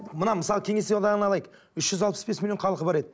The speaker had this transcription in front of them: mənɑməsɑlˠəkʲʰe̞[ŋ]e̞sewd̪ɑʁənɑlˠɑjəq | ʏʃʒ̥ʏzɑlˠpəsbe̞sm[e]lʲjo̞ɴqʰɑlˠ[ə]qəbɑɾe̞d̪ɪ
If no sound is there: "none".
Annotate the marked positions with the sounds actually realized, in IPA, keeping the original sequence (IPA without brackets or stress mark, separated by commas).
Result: ŋ, i, ə